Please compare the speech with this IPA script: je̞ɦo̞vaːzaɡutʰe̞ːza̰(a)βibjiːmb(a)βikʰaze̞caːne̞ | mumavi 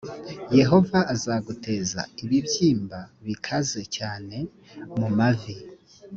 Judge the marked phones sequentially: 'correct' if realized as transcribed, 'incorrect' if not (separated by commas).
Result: incorrect, correct